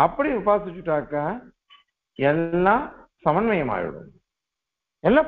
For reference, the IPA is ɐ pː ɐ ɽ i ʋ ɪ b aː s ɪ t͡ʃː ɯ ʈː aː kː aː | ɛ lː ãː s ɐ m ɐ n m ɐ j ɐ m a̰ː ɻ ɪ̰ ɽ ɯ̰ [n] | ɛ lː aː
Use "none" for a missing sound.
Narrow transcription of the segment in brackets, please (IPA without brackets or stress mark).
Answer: m